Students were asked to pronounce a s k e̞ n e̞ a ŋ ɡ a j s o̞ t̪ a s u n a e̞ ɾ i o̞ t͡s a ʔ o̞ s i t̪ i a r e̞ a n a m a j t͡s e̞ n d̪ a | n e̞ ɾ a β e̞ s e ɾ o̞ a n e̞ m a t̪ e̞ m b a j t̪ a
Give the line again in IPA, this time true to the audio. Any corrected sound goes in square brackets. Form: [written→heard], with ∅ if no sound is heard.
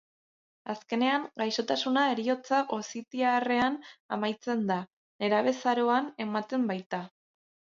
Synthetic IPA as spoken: a s k e̞ n e̞ a ŋ ɡ a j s o̞ t̪ a s u n a e̞ ɾ i o̞ t͡s a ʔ o̞ s i t̪ i a r e̞ a n a m a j t͡s e̞ n d̪ a | n e̞ ɾ a β e̞ s [e→a] ɾ o̞ a n e̞ m a t̪ e̞ m b a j t̪ a